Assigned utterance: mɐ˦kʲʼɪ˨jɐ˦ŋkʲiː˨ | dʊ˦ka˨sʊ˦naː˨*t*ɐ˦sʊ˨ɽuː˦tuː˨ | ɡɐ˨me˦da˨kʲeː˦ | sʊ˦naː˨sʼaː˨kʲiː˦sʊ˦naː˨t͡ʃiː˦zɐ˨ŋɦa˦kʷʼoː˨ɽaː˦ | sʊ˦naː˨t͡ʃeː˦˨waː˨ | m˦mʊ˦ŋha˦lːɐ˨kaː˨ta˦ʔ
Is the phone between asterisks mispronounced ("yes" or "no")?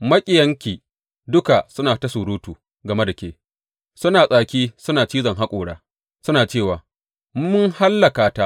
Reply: no